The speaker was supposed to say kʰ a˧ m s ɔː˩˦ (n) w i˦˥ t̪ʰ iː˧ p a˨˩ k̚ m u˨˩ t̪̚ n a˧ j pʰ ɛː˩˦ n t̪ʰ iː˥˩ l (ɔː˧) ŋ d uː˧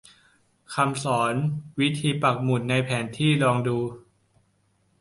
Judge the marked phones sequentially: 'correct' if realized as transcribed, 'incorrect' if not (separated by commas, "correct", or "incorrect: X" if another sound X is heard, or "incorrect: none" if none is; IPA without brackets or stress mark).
correct, correct